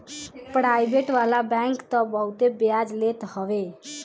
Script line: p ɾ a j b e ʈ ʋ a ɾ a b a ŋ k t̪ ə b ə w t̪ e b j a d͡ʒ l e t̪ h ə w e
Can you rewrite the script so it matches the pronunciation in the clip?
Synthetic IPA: p ɾ a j b e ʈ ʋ a l a b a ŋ k t̪ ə b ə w t̪ e b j a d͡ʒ l e t̪ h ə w e